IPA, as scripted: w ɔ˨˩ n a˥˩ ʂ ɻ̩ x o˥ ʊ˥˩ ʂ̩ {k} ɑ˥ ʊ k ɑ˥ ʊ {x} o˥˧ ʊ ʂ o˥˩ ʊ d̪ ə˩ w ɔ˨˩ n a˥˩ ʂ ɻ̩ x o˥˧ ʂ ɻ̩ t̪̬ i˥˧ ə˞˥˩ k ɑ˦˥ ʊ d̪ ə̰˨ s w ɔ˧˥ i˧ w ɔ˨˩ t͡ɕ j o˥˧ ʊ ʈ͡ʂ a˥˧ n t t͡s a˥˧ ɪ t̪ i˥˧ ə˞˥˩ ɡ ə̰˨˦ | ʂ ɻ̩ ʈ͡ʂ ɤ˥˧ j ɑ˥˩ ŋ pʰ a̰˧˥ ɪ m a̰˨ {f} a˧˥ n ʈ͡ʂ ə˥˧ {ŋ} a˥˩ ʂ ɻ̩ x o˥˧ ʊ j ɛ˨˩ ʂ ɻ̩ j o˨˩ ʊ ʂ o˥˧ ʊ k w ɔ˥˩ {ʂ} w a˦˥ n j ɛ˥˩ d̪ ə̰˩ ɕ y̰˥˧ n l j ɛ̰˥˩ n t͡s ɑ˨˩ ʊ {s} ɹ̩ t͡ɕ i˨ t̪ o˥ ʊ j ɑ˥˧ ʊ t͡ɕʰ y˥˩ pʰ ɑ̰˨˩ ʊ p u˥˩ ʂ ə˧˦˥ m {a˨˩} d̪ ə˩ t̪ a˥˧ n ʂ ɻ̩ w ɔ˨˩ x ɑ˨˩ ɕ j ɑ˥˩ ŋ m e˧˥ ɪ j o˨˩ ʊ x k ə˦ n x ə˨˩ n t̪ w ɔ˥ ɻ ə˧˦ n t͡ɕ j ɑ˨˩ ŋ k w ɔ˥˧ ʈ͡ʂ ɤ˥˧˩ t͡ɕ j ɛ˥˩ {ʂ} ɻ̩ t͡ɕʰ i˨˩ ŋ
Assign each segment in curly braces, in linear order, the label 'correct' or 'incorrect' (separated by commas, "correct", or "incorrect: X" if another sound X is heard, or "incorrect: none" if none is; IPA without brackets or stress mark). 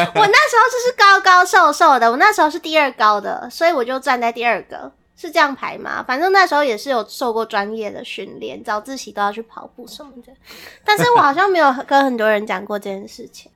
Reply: correct, incorrect: ʂ, correct, incorrect: n, incorrect: ʈ͡ʂ, incorrect: t͡s, incorrect: ə˨˩, correct